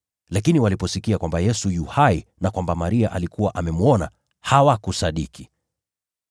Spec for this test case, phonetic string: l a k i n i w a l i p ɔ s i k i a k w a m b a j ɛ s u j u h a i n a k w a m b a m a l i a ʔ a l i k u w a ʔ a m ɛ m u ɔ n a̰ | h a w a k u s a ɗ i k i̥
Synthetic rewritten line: l a k i n i w a l i p ɔ s i k i a k w a m b a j ɛ s u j u h a i n a k w a m b a m a ɾ i a ʔ a l i k u w a ʔ a m ɛ m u ɔ n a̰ | h a w a k u s a ɗ i k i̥